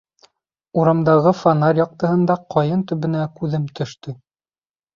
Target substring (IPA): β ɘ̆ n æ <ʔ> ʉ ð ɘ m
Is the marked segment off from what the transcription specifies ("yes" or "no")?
yes